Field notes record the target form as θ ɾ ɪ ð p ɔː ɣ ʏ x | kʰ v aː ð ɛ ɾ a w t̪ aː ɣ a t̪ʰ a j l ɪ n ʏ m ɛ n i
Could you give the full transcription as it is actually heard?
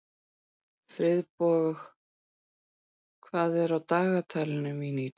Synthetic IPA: f ɾ ɪ ð p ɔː ɣ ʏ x | kʰ v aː ð ɛ ɾ a w t̪ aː ɣ a t̪ʰ a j l ɪ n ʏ m i n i